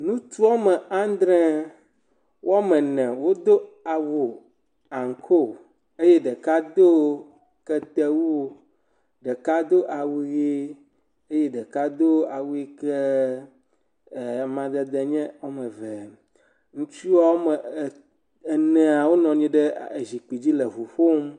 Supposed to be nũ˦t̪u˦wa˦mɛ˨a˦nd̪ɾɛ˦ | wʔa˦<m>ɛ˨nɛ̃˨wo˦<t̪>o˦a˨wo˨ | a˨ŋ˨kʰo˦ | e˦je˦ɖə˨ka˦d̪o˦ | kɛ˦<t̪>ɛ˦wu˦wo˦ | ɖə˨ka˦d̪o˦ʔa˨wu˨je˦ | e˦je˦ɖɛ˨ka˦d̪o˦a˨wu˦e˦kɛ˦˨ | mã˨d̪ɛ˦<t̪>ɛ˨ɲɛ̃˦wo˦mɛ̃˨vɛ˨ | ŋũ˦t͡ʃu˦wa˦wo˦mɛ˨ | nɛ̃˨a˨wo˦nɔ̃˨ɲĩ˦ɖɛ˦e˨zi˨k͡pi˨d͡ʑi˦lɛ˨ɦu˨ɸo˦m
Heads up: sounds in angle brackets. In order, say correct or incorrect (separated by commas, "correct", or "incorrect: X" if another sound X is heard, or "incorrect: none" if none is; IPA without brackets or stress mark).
correct, incorrect: d̪, correct, incorrect: d̪